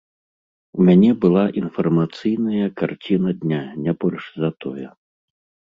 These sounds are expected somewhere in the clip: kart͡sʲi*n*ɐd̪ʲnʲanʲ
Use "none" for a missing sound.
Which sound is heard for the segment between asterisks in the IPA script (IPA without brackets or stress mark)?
n